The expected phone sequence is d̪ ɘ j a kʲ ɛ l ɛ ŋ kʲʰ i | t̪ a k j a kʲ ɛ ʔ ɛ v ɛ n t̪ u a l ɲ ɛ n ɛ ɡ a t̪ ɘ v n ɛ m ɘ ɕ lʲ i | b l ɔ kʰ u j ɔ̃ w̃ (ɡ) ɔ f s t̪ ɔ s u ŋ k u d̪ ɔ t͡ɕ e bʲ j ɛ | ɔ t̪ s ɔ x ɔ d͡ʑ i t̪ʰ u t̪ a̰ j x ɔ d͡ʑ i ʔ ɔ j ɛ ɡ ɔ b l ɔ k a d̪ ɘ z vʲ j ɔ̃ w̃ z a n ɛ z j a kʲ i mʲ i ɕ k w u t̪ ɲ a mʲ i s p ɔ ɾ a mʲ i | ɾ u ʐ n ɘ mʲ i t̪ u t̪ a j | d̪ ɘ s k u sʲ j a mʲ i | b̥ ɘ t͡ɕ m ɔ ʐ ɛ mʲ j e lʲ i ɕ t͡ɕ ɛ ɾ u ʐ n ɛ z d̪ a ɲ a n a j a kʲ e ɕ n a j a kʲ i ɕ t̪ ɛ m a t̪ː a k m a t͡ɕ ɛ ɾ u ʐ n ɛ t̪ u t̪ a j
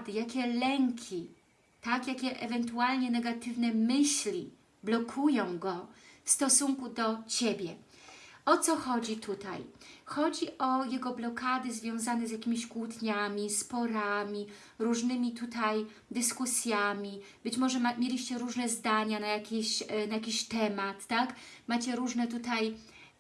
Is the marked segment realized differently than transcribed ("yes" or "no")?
no